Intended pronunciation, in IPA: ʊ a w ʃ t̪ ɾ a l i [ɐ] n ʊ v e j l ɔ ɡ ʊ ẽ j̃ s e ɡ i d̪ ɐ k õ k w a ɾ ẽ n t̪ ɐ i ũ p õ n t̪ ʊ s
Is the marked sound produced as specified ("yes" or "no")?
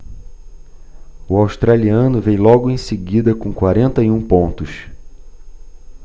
no